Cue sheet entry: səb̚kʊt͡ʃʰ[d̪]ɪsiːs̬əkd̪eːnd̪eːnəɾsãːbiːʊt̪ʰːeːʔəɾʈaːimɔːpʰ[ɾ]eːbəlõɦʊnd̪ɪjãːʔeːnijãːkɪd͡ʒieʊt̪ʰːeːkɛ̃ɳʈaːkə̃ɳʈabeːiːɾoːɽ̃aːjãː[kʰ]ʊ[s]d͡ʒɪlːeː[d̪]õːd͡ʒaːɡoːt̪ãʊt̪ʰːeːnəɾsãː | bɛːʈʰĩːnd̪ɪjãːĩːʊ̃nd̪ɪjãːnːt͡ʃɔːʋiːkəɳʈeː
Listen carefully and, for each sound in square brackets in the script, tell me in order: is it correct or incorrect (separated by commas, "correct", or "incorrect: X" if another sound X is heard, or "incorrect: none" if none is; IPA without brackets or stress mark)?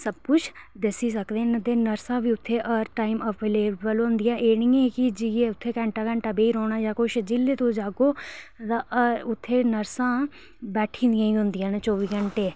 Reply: correct, incorrect: l, incorrect: k, incorrect: ʃ, incorrect: t̪